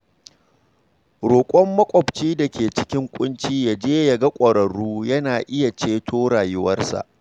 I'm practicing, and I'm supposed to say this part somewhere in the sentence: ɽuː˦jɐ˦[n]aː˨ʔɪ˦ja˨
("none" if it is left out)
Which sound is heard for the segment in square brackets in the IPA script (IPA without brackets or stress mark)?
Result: n